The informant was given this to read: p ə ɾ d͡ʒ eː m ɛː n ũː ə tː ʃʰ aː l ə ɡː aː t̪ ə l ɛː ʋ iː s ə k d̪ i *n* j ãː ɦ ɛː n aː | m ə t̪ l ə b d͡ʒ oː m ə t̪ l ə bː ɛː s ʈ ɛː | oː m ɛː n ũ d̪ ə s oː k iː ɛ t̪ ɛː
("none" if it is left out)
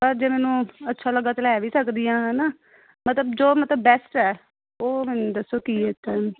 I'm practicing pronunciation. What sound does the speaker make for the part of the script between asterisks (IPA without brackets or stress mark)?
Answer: none